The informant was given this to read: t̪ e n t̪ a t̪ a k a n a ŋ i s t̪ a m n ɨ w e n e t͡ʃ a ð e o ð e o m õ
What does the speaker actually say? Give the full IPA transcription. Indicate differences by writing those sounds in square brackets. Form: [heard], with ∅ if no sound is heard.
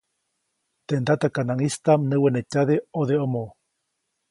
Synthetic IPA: t̪ e n [d̪] a t̪ a k a n a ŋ i s t̪ a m n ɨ w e n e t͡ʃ a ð e o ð e o m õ